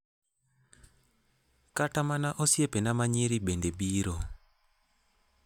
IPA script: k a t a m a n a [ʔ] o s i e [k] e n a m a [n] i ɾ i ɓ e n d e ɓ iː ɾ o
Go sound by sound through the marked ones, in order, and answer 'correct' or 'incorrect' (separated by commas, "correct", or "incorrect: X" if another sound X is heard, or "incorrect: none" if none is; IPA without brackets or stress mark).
correct, incorrect: p, incorrect: ɲ